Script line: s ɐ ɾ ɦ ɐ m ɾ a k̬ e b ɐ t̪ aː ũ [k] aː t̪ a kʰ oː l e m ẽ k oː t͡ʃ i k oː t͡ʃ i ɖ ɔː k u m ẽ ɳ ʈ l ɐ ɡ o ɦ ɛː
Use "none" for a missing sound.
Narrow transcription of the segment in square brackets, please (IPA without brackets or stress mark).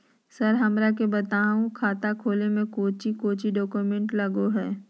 kʰ